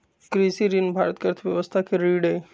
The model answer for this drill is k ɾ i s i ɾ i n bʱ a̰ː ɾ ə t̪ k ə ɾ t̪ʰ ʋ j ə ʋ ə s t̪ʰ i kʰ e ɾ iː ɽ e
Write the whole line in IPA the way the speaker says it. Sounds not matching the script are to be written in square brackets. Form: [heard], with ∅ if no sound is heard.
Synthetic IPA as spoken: k ɾ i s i ɾ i n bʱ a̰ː ɾ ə t̪ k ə ɾ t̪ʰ ʋ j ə ʋ ə s t̪ʰ [a] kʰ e ɾ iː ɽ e